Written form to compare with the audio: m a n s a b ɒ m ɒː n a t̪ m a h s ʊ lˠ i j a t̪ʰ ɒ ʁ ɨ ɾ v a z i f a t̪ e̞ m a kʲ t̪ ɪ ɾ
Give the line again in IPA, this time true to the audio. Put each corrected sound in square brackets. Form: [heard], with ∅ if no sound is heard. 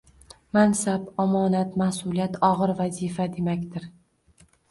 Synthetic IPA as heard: m a n s a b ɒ m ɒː n a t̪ m a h s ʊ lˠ i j a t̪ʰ ɒ ʁ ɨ ɾ v a z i f a [d̪] e̞ m a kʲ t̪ ɪ ɾ